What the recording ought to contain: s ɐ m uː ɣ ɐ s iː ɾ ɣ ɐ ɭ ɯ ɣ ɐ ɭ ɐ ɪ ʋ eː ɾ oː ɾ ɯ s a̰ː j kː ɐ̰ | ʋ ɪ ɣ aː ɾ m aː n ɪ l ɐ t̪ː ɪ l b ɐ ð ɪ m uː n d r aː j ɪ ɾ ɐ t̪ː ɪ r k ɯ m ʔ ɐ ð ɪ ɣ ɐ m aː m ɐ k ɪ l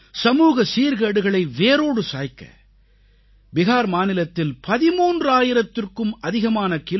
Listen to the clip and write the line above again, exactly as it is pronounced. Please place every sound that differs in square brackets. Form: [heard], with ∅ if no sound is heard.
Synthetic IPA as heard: s ɐ m uː ɣ ɐ s iː ɾ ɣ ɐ [ɽ] ɯ ɣ ɐ ɭ ɐ ɪ ʋ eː ɾ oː [ɽ] ɯ s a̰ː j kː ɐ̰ | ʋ ɪ ɣ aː ɾ m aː n ɪ l ɐ t̪ː ɪ l [p] ɐ ð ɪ m uː n d r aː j ɪ ɾ ɐ t̪ː ɪ r k ɯ m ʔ ɐ ð ɪ ɣ ɐ m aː [n] ɐ k ɪ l

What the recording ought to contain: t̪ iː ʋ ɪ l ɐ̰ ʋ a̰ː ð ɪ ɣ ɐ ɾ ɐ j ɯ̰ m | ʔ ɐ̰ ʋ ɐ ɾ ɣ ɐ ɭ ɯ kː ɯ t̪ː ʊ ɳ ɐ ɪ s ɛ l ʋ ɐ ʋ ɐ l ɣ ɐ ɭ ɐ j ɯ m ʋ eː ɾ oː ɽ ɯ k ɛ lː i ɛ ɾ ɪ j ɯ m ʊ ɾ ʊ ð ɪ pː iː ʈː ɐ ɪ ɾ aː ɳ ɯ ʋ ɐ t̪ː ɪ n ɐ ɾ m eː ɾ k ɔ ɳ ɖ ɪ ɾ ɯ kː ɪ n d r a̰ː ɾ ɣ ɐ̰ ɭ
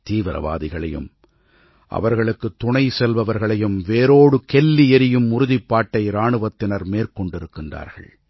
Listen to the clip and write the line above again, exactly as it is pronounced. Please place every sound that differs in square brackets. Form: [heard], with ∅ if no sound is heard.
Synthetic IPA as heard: t̪ iː ʋ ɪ [ɾ] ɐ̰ ʋ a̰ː ð ɪ ɣ ɐ [ɭ] ɐ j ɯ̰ m | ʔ ɐ̰ ʋ ɐ ɾ ɣ ɐ ɭ ɯ kː ɯ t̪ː ʊ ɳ ɐ ɪ s ɛ l ʋ ɐ ʋ ɐ [ɾ] ɣ ɐ ɭ ɐ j ɯ m ʋ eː ɾ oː ɽ ɯ k ɛ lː i ɛ ɾ ɪ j ɯ m ʊ ɾ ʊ ð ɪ pː [aː] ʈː ɐ ɪ ɾ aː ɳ ɯ ʋ ɐ t̪ː ɪ n ɐ ɾ m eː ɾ k ɔ ɳ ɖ ɪ ɾ ɯ kː ɪ n d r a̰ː ɾ ɣ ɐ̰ ɭ

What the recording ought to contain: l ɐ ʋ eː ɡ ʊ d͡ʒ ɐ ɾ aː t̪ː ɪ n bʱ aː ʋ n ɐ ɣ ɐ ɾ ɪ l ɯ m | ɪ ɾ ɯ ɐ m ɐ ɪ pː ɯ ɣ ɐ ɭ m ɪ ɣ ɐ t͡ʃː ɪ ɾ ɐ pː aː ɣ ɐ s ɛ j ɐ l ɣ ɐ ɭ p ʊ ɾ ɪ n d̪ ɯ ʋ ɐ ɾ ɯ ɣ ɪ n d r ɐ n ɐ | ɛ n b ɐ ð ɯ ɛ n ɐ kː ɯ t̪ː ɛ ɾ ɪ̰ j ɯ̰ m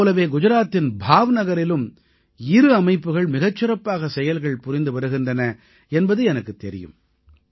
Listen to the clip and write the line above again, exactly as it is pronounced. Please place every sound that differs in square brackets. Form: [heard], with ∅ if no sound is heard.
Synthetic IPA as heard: l ɐ ʋ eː ɡ ʊ d͡ʒ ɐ ɾ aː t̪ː ɪ n bʱ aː ʋ n ɐ ɣ ɐ ɾ ɪ l ɯ m | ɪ ɾ ɯ ɐ m ɐ ɪ pː ɯ ɣ ɐ ɭ m ɪ ɣ ɐ t͡ʃː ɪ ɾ ɐ pː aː ɣ ɐ s ɛ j ɐ l ɣ ɐ ɭ p ʊ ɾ ɪ n d̪ ɯ ʋ ɐ ɾ ɯ ɣ ɪ n d r ɐ n ɐ | ɛ n b ɐ ð ɯ ɛ n ɐ kː ɯ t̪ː ɛ ɾ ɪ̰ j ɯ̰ m

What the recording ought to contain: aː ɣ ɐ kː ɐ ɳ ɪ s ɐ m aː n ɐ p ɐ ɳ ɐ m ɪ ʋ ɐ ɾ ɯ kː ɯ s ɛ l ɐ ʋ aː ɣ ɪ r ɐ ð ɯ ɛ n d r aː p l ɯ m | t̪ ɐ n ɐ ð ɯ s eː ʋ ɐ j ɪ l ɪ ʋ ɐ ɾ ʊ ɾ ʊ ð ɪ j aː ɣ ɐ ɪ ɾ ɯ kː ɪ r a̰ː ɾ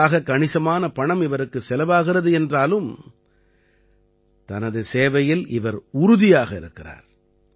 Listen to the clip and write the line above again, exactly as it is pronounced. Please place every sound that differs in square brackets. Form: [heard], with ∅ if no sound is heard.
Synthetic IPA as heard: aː ɣ ɐ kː ɐ ɳ ɪ s ɐ m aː n ɐ p ɐ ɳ ɐ m ɪ ʋ ɐ ɾ ɯ kː ɯ s ɛ l ɐ ʋ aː ɣ ɪ r ɐ ð ɯ ɛ n d r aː [∅] l ɯ m | t̪ ɐ n ɐ ð ɯ s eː ʋ ɐ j ɪ l ɪ ʋ ɐ ɾ ʊ ɾ ʊ ð ɪ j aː ɣ ɐ ɪ ɾ ɯ kː ɪ r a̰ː ɾ

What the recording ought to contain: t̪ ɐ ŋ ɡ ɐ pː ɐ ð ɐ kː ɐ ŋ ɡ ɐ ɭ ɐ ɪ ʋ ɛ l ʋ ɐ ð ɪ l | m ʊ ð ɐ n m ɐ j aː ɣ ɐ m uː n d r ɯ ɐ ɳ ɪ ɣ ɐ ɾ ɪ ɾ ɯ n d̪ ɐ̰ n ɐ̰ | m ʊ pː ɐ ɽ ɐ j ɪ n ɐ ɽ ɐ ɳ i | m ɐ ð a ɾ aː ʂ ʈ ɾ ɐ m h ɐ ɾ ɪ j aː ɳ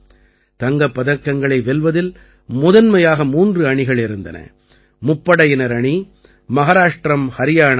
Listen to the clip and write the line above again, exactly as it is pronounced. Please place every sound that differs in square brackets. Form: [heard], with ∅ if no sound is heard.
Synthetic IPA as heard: t̪ ɐ ŋ ɡ ɐ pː ɐ ð ɐ kː ɐ ŋ ɡ ɐ ɭ ɐ ɪ ʋ ɛ l ʋ ɐ ð ɪ l | m ʊ ð ɐ n m ɐ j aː ɣ ɐ m uː n d r ɯ ɐ ɳ ɪ ɣ ɐ [ɭ] ɪ ɾ ɯ n d̪ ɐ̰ n ɐ̰ | m ʊ pː ɐ ɽ ɐ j ɪ n ɐ [ɾ] ɐ ɳ i | m ɐ [ɣ] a ɾ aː ʂ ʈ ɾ ɐ m h ɐ ɾ ɪ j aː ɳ

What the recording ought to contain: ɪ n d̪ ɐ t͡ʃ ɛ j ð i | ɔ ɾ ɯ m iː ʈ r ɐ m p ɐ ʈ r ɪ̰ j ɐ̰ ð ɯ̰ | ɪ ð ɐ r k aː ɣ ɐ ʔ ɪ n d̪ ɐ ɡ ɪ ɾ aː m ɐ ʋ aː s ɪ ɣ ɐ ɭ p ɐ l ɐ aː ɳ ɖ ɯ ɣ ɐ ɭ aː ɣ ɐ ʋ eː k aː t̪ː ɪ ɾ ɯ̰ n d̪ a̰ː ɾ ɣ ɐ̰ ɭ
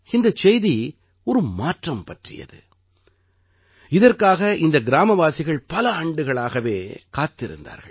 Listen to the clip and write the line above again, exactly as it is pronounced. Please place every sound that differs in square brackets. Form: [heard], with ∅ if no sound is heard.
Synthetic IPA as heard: ɪ n d̪ ɐ t͡ʃ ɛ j ð i | ɔ ɾ ɯ m [aː] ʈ r ɐ m p ɐ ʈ r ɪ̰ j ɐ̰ ð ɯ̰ | ɪ ð ɐ r k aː ɣ ɐ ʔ ɪ n d̪ ɐ ɡ ɪ ɾ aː m ɐ ʋ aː s ɪ ɣ ɐ ɭ p ɐ l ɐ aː ɳ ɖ ɯ ɣ ɐ ɭ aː ɣ ɐ ʋ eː k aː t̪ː ɪ ɾ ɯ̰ n d̪ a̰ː ɾ ɣ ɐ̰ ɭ

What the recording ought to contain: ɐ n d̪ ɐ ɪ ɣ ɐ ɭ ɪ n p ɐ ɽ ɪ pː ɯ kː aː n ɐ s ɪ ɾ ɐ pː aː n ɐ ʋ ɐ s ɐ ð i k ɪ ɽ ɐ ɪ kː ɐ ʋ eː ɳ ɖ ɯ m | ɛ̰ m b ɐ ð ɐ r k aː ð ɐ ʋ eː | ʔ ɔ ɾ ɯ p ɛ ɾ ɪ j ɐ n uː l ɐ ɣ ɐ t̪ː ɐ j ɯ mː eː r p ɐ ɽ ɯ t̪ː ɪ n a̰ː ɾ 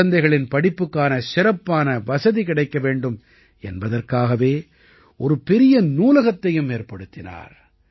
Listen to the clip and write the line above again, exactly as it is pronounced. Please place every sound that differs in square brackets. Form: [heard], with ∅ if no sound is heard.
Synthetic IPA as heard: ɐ n d̪ ɐ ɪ ɣ ɐ ɭ ɪ n p ɐ ɽ ɪ pː ɯ kː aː n ɐ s ɪ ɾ ɐ pː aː n ɐ ʋ ɐ s ɐ ð i k ɪ ɽ ɐ ɪ kː ɐ ʋ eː ɳ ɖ ɯ m | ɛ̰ [n] b ɐ ð ɐ r k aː [ɣ] ɐ ʋ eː | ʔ ɔ ɾ ɯ p ɛ ɾ ɪ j ɐ n uː l ɐ ɣ ɐ t̪ː ɐ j ɯ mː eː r p ɐ ɽ ɯ t̪ː ɪ n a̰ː ɾ

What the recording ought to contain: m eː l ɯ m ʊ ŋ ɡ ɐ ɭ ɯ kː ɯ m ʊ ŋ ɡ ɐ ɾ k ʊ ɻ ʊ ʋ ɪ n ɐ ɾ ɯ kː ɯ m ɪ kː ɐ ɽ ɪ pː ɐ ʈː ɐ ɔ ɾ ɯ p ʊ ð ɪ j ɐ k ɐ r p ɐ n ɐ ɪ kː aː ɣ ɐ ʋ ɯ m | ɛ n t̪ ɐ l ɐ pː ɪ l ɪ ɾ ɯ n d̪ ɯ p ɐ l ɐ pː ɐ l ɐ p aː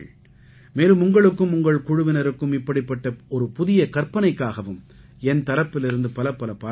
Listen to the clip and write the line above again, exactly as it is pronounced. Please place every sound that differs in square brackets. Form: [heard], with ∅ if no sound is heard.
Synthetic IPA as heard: m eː l ɯ m ʊ ŋ ɡ ɐ ɭ ɯ kː ɯ m ʊ ŋ ɡ ɐ [ɭ] k ʊ ɻ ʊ ʋ ɪ n ɐ ɾ ɯ kː ɯ m ɪ [pː] ɐ ɽ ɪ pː ɐ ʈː ɐ ɔ ɾ ɯ p ʊ ð ɪ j ɐ k ɐ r p ɐ n ɐ ɪ kː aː ɣ ɐ ʋ ɯ m | ɛ n t̪ ɐ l ɐ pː ɪ l ɪ ɾ ɯ n d̪ ɯ p ɐ l ɐ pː ɐ l ɐ p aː

